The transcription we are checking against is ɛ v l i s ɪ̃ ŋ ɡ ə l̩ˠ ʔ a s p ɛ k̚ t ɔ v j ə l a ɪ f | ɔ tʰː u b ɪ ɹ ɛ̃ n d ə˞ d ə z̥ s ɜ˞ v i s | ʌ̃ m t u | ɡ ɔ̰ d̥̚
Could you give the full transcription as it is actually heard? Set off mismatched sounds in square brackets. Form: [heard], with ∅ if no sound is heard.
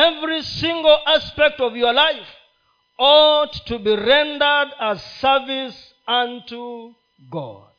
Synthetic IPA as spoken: ɛ v [ɹ] i s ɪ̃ ŋ ɡ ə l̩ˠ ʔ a s p ɛ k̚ t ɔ v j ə l a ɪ f | ɔ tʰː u b [i] ɹ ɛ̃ n d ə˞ d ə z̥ s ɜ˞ v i s | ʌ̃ [n] t u | ɡ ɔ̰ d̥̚